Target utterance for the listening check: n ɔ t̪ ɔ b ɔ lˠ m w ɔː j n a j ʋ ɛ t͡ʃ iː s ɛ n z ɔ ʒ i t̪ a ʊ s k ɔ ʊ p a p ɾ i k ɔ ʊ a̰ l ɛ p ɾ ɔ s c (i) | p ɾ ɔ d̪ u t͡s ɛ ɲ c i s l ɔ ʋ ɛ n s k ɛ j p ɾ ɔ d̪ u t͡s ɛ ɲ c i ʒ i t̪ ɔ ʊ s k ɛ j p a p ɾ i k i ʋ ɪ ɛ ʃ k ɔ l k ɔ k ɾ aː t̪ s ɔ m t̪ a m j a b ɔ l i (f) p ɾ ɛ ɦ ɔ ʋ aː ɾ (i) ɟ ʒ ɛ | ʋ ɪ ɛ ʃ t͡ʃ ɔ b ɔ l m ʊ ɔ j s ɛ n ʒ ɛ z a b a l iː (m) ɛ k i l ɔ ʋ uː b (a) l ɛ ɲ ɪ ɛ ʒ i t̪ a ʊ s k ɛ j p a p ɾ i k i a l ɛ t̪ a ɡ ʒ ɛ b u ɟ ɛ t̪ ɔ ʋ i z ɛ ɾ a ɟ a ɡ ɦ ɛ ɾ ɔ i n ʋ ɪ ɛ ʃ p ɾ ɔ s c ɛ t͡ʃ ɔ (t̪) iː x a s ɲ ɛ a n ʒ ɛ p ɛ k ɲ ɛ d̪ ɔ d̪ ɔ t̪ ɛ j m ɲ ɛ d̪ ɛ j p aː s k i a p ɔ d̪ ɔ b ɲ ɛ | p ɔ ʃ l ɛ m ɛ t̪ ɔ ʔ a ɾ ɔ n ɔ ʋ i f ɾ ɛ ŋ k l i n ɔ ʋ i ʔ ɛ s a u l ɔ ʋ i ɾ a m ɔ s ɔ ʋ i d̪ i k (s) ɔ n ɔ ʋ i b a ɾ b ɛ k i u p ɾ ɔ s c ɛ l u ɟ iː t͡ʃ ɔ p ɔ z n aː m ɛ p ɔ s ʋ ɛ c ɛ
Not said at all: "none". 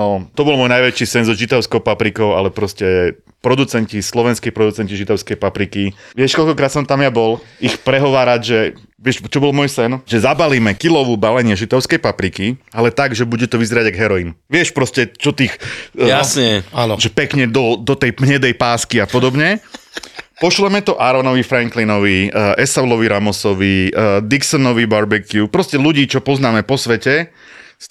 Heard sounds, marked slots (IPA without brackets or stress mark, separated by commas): ɛ, x, a, m, a, t̪, s